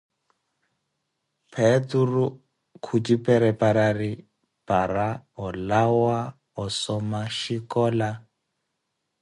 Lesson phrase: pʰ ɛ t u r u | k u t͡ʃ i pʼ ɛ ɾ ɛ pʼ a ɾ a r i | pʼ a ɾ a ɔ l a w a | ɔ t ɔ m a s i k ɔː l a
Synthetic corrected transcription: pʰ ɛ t u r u | kʰ u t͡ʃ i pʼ ɛ ɾ ɛ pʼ a ɾ a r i | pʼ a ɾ a ɔ l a w a | ɔ s ɔ m a ʃ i k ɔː l a